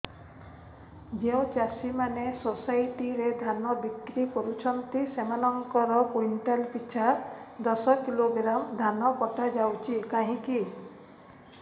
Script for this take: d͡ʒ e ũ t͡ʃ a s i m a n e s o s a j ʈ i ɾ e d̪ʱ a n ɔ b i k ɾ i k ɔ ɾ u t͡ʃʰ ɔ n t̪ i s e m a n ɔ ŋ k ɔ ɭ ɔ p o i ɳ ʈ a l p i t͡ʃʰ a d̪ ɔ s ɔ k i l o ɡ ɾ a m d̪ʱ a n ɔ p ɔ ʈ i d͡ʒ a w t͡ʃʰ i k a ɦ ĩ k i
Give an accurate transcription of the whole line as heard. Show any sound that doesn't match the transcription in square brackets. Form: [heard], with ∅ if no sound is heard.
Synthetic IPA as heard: d͡ʒ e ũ t͡ʃ a s i m a n e s o s a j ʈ i ɾ e d̪ʱ a n ɔ b i k ɾ i k ɔ ɾ u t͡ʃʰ ɔ n t̪ i s e m a n ɔ ŋ k ɔ [ɾ] ɔ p o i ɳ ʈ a l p i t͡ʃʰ a d̪ ɔ s ɔ k i l o ɡ ɾ a m d̪ʱ a n ɔ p ɔ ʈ [a] d͡ʒ a w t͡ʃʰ i k a ɦ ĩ k i